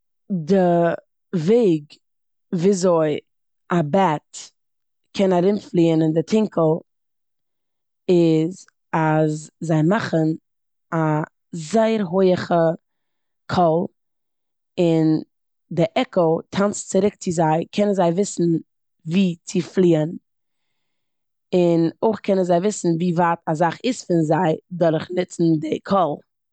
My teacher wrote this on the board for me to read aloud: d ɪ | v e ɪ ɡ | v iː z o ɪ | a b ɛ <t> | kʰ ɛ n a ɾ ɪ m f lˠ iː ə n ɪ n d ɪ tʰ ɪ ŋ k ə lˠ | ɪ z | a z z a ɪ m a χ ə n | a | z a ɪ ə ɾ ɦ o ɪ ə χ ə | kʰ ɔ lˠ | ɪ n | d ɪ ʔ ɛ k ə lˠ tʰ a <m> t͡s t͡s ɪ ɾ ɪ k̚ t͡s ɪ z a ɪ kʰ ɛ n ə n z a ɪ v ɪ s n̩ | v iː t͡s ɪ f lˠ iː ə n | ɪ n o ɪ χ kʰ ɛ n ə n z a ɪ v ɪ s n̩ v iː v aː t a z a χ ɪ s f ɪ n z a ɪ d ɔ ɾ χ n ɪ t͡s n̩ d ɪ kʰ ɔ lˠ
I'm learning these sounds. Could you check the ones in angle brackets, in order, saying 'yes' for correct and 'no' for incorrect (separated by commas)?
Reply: yes, no